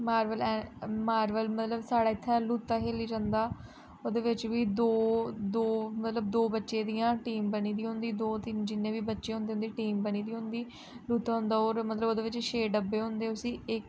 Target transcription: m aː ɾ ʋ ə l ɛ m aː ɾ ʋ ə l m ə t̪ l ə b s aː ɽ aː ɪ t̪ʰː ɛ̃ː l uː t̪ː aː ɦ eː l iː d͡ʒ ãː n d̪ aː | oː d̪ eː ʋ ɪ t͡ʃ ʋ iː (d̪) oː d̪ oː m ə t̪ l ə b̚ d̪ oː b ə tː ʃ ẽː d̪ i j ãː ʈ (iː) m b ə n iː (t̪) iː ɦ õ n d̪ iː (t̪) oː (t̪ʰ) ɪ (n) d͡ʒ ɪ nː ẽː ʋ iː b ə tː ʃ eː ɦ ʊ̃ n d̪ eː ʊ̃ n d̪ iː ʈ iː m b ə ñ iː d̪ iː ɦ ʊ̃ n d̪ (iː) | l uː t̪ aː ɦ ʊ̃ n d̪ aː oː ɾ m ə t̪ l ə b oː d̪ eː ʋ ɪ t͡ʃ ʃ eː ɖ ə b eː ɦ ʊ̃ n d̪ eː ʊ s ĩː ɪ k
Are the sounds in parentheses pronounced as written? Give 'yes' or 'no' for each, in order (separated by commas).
yes, yes, no, no, no, yes, yes